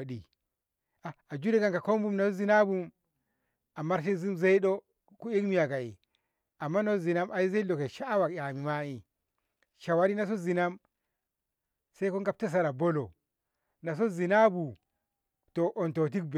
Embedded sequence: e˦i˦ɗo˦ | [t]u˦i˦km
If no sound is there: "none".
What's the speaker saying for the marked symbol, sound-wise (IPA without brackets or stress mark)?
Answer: k